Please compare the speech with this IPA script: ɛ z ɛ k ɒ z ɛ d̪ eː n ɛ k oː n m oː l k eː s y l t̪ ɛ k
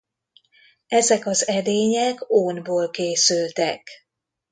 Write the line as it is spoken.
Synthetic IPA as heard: ɛ z ɛ k ɒ z ɛ d̪ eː ɲ ɛ k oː n b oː l k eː s y l t̪ ɛ k